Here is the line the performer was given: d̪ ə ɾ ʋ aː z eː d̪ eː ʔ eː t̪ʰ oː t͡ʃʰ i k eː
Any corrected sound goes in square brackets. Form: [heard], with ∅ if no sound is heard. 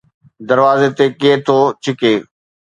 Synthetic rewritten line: d̪ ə ɾ ʋ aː z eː [t̪] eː [k] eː t̪ʰ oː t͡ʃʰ [ɪ] k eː